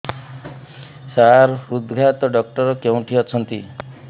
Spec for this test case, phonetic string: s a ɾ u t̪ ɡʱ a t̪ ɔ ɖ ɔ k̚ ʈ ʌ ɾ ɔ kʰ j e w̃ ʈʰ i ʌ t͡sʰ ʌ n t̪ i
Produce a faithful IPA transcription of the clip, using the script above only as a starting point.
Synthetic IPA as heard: s a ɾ u d̪ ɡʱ a t̪ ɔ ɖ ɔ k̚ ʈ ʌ ɾ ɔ k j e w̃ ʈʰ i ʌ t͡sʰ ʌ n t̪ i